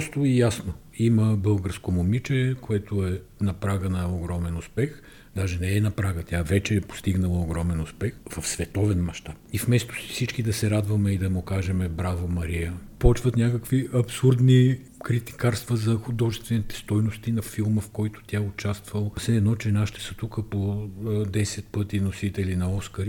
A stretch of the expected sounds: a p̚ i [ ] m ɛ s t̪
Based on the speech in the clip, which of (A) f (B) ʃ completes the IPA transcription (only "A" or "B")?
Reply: A